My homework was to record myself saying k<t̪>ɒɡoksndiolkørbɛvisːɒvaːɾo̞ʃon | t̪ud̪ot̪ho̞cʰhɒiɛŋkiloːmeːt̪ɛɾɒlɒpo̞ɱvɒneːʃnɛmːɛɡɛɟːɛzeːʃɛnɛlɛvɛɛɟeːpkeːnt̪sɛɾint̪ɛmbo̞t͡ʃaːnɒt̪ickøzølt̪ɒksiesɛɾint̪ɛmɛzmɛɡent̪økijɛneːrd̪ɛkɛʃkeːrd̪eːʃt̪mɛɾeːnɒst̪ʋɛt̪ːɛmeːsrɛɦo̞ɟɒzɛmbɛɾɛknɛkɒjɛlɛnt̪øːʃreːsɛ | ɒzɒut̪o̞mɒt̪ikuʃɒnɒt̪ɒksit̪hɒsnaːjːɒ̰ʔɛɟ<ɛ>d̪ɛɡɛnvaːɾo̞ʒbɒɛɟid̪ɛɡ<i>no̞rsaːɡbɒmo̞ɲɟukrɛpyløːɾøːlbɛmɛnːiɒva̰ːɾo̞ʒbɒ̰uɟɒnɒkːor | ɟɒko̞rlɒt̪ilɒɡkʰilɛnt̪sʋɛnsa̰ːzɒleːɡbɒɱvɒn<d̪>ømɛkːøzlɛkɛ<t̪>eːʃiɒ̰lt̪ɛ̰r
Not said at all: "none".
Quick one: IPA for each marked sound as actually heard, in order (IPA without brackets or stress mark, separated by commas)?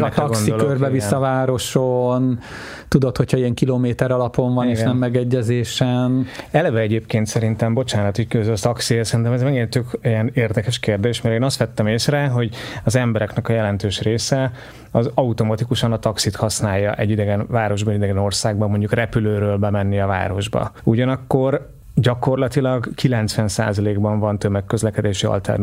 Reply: t̪, i, ɛ, t̪, d̪